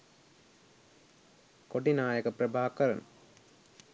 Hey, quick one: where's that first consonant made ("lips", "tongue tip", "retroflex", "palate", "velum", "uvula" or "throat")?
velum